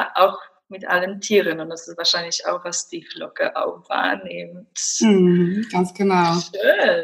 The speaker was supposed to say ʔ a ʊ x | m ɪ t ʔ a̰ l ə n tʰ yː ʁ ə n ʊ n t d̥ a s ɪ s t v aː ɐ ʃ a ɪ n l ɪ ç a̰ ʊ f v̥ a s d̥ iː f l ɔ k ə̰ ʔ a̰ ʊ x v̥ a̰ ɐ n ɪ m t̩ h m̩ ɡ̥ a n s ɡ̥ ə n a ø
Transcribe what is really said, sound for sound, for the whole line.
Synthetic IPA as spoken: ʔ a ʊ x | m ɪ t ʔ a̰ l ə n tʰ iː ʁ ə n ʊ n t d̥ a s ɪ s t v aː ɐ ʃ a ɪ n l ɪ ç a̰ ʊ x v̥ a s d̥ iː f l ɔ k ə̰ ʔ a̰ ʊ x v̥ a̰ ɐ n ɪ m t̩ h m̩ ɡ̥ a n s ɡ̥ ə n a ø